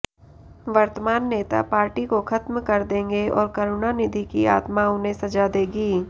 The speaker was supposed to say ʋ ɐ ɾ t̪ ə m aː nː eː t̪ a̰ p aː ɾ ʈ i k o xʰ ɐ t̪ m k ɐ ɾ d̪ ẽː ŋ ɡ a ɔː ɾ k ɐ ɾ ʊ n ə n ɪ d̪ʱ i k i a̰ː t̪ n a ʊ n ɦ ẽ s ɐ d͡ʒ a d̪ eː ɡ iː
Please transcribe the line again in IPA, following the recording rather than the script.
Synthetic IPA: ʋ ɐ ɾ t̪ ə m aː nː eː t̪ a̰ p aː ɾ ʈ i k o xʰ ɐ t̪ m k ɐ ɾ d̪ ẽː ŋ ɡ e ɔː ɾ k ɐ ɾ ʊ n a n ɪ d̪ʱ i k i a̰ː t̪ m a ʊ n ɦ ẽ s ɐ d͡ʒ a d̪ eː ɡ iː